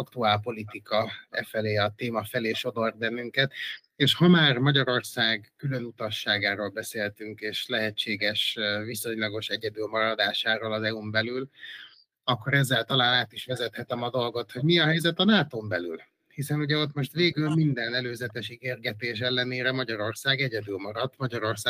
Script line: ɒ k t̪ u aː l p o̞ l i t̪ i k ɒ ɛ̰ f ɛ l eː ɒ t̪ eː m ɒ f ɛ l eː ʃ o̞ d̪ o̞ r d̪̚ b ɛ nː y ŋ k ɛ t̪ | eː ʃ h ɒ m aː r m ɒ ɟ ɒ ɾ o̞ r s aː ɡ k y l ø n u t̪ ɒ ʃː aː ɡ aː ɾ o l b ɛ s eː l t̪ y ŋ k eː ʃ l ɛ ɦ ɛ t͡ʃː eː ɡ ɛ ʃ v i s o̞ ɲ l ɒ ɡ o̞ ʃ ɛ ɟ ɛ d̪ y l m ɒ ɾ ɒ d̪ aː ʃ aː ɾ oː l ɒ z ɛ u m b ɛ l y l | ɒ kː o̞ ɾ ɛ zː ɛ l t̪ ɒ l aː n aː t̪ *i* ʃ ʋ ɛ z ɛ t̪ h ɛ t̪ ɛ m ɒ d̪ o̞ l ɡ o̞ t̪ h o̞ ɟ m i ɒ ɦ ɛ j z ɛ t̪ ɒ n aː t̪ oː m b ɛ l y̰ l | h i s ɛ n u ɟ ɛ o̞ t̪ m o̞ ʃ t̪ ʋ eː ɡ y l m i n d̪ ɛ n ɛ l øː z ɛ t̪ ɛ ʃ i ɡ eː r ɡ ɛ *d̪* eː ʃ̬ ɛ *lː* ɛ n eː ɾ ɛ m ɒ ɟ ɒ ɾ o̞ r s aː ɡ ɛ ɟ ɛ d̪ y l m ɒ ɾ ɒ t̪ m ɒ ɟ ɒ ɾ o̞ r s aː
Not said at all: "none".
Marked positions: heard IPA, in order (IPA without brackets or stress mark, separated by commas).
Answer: i, t̪, lː